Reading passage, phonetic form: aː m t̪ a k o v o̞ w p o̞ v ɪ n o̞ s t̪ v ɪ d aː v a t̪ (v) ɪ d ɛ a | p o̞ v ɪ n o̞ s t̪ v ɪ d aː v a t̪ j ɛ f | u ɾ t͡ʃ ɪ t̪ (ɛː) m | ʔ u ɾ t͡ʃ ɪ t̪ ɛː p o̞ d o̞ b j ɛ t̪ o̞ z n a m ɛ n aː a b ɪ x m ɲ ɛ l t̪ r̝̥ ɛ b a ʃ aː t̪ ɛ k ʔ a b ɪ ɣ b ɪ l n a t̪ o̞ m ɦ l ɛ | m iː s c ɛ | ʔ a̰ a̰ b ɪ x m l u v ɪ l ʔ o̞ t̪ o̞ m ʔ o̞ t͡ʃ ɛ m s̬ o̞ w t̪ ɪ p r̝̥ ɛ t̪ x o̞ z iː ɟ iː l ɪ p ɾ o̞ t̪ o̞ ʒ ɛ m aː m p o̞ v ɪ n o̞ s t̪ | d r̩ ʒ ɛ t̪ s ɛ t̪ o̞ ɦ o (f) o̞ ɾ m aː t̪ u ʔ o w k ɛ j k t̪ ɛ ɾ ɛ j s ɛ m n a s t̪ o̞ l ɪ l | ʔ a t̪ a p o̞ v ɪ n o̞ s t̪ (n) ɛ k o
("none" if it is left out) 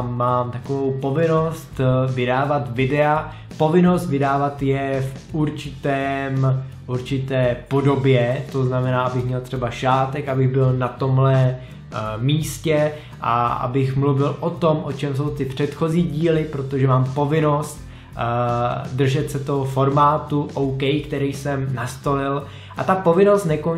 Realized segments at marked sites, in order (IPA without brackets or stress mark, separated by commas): v, ɛː, f, n